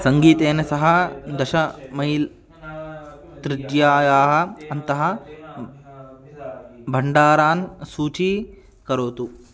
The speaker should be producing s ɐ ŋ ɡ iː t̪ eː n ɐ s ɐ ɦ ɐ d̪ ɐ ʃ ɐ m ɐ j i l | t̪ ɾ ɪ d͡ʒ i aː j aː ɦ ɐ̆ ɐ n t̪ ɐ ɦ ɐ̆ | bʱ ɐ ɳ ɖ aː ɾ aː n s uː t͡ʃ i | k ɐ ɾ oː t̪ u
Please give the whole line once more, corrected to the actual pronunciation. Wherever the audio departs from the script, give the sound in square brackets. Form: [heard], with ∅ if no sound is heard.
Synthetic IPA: s ɐ ŋ ɡ iː t̪ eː n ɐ s ɐ ɦ ɐ d̪ ɐ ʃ ɐ m ɐ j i l | t̪ ɾ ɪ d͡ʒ [j] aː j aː ɦ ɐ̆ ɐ n t̪ ɐ ɦ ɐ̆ | bʱ ɐ ɳ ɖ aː ɾ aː n s uː t͡ʃ i | k ɐ ɾ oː t̪ u